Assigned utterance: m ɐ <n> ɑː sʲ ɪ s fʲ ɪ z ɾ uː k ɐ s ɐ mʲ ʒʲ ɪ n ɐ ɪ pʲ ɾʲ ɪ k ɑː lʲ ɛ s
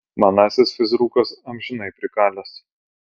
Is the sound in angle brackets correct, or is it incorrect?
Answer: correct